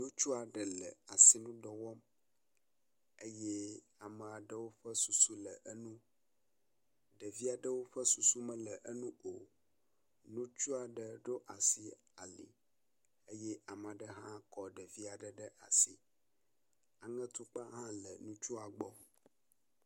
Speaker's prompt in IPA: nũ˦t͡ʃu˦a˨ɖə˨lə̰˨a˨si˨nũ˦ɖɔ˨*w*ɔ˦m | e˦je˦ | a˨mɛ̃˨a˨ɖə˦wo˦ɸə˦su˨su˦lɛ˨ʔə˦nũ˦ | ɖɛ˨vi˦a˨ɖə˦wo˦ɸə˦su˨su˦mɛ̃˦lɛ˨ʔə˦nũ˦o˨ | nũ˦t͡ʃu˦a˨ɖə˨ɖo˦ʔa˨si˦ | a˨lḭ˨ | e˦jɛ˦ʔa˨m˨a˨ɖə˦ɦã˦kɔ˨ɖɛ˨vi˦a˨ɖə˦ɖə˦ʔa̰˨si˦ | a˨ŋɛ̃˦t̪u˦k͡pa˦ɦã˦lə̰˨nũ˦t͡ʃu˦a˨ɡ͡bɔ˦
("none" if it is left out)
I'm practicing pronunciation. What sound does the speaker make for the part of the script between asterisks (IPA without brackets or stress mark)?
w